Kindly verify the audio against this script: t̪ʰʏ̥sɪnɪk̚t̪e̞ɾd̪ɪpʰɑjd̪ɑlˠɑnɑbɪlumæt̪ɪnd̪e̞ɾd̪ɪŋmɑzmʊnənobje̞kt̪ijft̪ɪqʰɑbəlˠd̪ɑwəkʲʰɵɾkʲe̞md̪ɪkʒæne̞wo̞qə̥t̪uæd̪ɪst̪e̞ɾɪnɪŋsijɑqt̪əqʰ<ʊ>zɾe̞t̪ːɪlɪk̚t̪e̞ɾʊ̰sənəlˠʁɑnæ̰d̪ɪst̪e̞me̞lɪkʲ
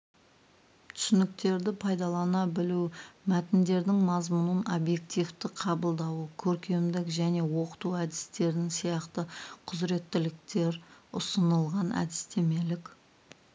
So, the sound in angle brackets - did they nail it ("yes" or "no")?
yes